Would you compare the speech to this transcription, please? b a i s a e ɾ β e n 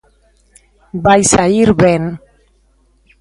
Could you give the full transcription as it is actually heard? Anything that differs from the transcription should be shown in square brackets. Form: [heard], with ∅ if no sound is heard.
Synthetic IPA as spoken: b a [j] s a [i] ɾ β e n